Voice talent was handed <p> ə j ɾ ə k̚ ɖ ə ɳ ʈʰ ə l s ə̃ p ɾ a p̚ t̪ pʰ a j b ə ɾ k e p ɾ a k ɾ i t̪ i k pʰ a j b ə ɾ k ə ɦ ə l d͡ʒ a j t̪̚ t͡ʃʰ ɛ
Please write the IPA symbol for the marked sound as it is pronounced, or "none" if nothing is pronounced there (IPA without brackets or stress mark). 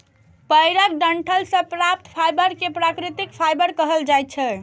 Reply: p